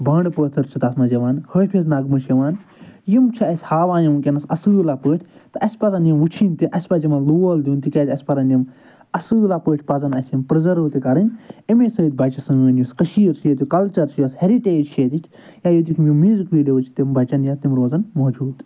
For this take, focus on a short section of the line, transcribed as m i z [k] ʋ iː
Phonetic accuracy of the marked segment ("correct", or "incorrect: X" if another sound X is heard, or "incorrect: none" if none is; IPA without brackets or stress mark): correct